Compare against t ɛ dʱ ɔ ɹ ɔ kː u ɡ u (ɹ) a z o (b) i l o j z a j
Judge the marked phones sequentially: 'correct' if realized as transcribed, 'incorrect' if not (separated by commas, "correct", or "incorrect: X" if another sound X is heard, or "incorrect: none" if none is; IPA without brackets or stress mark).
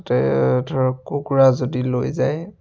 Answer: correct, incorrect: d